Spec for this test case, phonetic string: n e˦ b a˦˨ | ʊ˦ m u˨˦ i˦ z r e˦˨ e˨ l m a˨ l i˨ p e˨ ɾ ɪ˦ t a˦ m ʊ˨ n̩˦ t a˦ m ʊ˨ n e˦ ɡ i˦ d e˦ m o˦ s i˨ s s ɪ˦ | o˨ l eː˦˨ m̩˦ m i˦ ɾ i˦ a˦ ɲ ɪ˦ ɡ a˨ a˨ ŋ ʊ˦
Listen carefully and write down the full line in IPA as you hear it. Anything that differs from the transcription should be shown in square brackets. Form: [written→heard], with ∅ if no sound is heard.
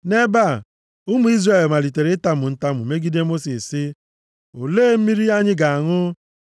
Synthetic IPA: n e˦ b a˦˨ | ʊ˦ m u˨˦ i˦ z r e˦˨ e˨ l m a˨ l i˨ [p→t] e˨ ɾ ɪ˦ t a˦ m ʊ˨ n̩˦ t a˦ m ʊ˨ [n→m] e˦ ɡ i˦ d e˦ m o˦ s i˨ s s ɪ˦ | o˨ l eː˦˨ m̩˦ m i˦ ɾ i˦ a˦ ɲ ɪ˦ ɡ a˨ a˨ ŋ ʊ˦